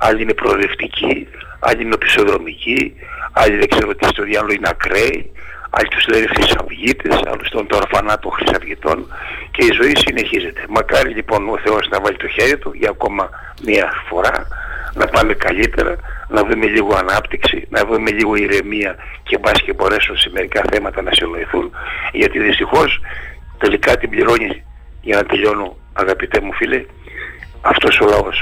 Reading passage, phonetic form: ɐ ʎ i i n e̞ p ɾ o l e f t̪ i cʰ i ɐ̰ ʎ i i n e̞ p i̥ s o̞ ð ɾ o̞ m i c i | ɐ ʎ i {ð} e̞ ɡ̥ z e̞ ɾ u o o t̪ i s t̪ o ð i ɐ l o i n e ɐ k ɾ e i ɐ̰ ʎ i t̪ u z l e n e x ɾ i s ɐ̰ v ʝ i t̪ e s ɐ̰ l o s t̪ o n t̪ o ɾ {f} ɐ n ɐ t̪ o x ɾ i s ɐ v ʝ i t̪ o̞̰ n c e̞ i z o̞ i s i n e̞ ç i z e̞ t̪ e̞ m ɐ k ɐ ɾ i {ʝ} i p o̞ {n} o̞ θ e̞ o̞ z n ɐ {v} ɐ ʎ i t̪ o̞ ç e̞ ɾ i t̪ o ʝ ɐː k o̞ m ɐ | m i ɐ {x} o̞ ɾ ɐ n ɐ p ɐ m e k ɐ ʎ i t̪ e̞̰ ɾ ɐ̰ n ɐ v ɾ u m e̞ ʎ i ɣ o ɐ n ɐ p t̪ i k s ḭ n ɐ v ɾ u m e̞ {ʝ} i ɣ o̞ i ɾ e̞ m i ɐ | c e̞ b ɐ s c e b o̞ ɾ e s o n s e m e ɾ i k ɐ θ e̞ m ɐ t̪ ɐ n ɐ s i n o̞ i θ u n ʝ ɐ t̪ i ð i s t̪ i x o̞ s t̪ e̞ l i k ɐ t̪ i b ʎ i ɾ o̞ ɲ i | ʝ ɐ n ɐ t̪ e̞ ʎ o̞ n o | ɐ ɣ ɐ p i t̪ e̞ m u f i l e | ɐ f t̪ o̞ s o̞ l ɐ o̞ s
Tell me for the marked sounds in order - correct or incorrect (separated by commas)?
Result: correct, correct, incorrect, correct, correct, incorrect, incorrect